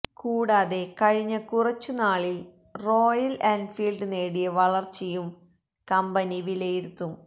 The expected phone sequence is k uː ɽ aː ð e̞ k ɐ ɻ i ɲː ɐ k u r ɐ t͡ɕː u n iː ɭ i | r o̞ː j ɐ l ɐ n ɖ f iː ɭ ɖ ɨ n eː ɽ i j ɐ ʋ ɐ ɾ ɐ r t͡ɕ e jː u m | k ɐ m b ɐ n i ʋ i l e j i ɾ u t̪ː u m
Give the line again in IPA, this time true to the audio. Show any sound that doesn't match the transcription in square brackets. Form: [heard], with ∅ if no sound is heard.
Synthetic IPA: k uː ɽ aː ð e̞ k ɐ ɻ i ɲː ɐ k u r ɐ t͡ɕː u n [aː] ɭ i | r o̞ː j ɐ l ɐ n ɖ f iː [l] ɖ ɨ n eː ɽ i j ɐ ʋ ɐ [ɭ] ɐ r t͡ɕ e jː u m | k ɐ m b ɐ n i ʋ i l e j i ɾ u t̪ː u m

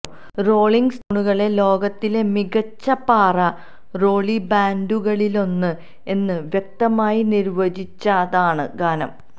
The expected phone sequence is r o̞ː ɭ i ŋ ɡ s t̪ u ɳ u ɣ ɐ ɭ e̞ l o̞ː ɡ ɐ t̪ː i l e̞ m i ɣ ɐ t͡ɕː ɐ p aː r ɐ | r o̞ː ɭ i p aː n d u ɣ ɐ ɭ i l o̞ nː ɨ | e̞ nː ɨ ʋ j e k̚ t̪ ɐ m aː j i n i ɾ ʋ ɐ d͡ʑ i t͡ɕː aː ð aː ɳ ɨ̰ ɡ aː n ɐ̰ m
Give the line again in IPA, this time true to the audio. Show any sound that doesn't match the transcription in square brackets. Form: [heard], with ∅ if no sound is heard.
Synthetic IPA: r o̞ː ɭ i ŋ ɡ s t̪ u ɳ u ɣ ɐ ɭ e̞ l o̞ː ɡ ɐ t̪ː i l e̞ m i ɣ ɐ t͡ɕː ɐ p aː r ɐ | r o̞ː ɭ i [b] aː n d u ɣ ɐ ɭ i l o̞ nː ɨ | e̞ nː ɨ ʋ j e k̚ t̪ ɐ m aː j i n i ɾ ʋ ɐ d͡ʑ i t͡ɕː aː ð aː ɳ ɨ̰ ɡ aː n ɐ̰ m

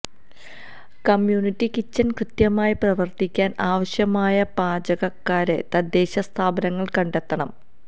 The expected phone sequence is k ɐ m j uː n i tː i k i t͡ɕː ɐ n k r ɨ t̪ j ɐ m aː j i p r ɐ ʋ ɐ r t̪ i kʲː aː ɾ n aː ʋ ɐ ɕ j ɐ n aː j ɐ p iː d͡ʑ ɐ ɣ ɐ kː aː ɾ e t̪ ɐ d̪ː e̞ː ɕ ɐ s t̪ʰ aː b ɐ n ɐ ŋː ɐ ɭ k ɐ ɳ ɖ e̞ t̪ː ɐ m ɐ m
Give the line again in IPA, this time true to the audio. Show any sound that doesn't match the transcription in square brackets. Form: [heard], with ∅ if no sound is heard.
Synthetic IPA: k ɐ m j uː n i tː i k i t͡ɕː ɐ n k r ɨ t̪ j ɐ m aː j i p r ɐ ʋ ɐ r t̪ i kʲː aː [∅] n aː ʋ ɐ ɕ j ɐ [m] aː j ɐ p [aː] d͡ʑ ɐ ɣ ɐ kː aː ɾ e t̪ ɐ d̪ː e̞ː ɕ ɐ s t̪ʰ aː b ɐ n ɐ ŋː ɐ ɭ k ɐ ɳ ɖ e̞ t̪ː ɐ [ɳ] ɐ m

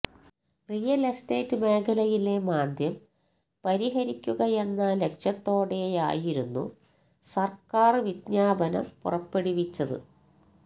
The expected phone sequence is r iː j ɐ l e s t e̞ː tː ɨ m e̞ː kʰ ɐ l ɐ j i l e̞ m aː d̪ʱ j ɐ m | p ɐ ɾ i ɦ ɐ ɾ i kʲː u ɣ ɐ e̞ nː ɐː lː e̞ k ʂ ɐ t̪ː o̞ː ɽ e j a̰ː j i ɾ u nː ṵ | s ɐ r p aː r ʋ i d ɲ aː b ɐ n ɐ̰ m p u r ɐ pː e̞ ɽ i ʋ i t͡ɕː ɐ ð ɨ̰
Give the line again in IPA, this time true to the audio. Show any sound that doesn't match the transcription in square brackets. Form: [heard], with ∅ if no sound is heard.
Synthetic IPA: r [i] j ɐ l e s t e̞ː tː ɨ m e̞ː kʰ ɐ l ɐ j i l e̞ m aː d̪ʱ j ɐ m | p ɐ ɾ i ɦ ɐ ɾ i kʲː u ɣ ɐ e̞ nː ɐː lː e̞ k ʂ ɐ t̪ː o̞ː ɽ e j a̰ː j i ɾ u nː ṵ | s ɐ r [k] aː r ʋ i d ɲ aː b ɐ n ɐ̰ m p u r ɐ pː e̞ ɽ i ʋ i t͡ɕː ɐ ð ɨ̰

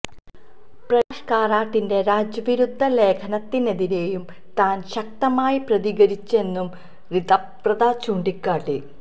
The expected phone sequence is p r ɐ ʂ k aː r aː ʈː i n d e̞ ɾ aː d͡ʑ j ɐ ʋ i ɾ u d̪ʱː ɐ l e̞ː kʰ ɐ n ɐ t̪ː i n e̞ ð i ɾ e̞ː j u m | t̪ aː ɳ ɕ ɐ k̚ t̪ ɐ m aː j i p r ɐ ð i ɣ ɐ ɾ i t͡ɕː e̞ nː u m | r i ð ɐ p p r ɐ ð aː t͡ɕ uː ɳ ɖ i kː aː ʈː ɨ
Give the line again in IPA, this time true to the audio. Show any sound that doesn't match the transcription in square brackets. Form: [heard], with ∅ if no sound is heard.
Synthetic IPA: p r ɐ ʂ k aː r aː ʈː i n d e̞ ɾ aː d͡ʑ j ɐ ʋ i ɾ u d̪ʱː ɐ l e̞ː kʰ ɐ n ɐ t̪ː i n e̞ ð i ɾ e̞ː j u m | t̪ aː [n] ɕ ɐ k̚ t̪ ɐ m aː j i p r ɐ ð i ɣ ɐ ɾ i t͡ɕː e̞ nː u m | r i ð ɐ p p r ɐ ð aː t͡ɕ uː ɳ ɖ i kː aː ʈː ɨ

